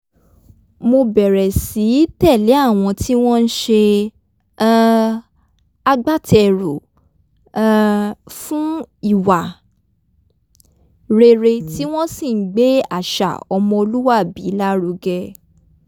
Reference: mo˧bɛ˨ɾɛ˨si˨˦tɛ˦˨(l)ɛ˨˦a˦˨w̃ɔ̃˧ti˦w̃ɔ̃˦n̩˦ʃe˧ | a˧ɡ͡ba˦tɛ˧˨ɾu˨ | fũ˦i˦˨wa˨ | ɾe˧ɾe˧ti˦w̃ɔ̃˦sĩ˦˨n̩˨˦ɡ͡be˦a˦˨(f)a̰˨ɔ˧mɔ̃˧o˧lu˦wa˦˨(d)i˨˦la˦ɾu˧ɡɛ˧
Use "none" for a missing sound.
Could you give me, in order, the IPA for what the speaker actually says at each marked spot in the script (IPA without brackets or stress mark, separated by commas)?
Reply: l, ʃ, b